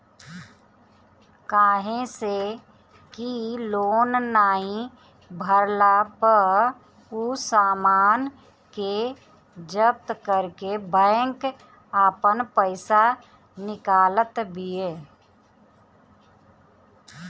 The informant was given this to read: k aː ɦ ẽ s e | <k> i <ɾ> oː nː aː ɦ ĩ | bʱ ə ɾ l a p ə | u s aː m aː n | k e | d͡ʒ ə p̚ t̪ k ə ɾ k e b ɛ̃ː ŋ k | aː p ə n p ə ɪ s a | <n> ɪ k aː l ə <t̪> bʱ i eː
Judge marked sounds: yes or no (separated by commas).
yes, no, yes, yes